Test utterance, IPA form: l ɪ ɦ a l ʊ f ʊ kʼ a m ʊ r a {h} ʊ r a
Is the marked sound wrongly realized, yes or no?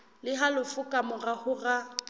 no